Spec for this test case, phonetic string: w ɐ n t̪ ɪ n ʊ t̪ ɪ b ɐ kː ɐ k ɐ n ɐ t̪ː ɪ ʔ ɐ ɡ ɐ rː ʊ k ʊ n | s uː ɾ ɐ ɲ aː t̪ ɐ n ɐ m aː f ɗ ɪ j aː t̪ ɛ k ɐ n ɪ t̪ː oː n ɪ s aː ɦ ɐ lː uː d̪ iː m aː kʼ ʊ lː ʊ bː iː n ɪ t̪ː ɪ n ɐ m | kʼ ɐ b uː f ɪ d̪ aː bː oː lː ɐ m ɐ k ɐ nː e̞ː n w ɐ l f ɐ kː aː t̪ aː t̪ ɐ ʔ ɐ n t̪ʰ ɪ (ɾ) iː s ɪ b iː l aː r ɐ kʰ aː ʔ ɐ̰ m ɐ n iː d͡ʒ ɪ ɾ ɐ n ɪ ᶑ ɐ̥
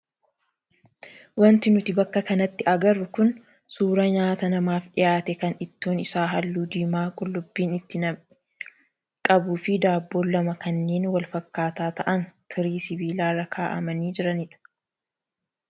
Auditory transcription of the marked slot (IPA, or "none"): ɾ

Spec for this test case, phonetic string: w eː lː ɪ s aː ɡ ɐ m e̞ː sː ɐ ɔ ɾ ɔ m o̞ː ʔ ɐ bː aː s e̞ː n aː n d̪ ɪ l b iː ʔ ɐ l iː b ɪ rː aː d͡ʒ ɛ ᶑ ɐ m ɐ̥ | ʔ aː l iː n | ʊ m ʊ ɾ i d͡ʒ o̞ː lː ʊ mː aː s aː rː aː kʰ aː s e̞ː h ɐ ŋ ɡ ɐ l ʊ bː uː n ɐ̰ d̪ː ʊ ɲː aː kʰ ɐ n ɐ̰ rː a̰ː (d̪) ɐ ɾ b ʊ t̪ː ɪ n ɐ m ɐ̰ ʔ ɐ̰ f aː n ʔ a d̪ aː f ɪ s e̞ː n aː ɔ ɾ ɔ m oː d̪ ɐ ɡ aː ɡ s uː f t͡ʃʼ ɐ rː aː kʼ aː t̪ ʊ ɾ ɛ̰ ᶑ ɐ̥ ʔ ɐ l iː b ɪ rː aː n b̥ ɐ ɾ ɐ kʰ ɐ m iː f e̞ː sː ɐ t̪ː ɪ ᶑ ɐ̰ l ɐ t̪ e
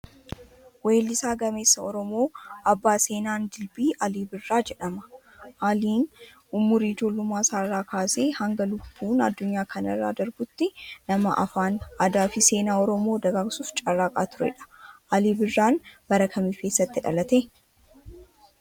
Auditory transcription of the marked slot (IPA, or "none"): d̪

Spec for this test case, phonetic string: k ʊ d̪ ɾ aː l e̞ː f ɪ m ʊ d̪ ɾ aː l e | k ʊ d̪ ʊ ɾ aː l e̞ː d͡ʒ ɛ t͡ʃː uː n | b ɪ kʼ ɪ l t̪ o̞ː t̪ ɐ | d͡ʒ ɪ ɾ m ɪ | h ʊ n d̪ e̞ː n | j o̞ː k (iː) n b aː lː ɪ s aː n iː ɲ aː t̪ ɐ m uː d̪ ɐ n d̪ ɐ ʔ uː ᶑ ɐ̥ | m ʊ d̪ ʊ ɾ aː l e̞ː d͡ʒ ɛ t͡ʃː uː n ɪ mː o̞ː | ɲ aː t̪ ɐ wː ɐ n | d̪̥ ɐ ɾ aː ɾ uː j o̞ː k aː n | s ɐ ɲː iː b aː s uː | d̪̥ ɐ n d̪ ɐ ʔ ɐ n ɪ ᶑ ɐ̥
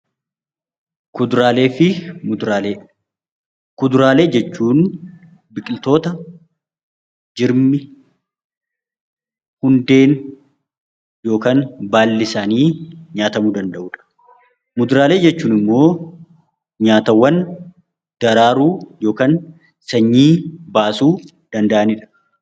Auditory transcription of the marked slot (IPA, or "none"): aː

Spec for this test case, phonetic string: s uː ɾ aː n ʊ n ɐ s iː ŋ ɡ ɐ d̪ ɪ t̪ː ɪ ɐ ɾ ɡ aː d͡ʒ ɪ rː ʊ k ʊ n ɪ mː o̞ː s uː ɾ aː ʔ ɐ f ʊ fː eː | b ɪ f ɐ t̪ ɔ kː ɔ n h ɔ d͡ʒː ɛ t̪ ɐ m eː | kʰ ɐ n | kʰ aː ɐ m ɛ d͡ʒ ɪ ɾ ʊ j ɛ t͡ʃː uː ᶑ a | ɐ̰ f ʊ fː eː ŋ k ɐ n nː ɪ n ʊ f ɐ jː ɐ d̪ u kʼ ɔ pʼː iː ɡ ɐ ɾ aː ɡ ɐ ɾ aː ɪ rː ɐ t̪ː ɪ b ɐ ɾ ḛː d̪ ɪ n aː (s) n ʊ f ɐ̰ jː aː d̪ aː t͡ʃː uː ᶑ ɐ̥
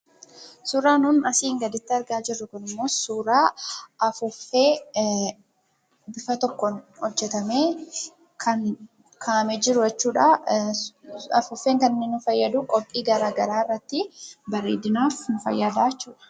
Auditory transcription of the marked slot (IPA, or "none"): f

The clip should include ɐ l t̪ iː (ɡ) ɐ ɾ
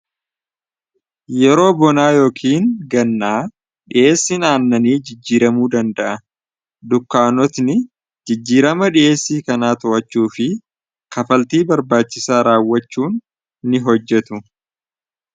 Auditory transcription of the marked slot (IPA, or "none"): b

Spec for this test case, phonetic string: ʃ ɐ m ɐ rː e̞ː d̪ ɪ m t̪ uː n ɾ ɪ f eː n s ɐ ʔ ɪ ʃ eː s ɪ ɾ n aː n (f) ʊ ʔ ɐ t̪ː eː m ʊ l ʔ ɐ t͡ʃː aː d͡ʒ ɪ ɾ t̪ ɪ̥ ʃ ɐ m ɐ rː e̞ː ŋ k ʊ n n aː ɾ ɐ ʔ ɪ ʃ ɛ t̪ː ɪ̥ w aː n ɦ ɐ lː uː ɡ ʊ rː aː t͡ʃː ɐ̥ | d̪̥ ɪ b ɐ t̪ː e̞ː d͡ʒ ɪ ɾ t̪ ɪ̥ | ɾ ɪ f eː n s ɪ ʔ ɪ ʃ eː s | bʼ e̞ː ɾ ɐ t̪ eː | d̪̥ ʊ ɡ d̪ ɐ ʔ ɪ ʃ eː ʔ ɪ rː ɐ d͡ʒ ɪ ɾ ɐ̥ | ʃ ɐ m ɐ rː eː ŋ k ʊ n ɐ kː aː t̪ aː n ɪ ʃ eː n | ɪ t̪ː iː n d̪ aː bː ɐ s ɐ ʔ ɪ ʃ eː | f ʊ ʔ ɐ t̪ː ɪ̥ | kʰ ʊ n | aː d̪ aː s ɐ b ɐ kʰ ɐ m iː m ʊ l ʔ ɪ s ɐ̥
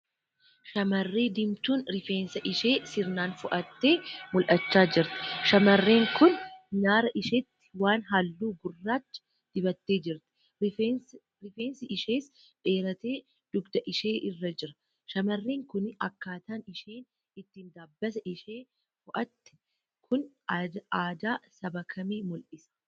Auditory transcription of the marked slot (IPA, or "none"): f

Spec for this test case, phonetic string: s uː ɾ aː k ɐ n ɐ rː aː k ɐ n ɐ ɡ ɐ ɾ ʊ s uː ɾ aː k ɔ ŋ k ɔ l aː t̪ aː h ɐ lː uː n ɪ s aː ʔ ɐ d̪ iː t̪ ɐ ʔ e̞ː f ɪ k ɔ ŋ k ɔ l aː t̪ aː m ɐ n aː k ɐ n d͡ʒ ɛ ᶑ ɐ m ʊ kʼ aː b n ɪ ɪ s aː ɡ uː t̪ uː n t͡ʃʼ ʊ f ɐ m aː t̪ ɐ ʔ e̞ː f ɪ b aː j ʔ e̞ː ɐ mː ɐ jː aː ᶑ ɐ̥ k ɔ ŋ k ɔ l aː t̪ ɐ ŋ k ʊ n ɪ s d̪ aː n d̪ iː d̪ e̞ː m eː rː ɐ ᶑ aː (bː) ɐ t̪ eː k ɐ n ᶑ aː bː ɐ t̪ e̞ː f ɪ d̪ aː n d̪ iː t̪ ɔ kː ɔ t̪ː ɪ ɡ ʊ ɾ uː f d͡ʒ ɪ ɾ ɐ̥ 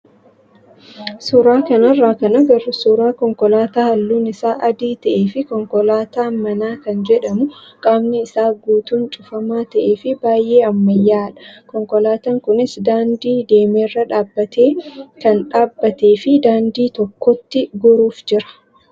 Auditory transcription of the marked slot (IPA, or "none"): bː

